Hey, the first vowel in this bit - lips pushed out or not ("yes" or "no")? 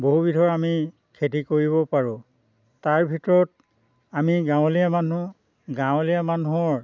yes